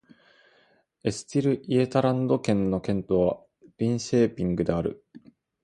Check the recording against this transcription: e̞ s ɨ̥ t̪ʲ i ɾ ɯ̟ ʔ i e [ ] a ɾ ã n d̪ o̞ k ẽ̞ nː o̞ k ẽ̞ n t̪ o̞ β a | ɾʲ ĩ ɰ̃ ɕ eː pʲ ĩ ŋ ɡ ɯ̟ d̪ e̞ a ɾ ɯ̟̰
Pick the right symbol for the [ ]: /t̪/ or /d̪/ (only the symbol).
t̪